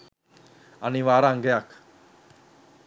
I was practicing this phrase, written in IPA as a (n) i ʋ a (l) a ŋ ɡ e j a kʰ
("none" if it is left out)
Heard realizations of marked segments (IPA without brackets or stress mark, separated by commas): n, ɾ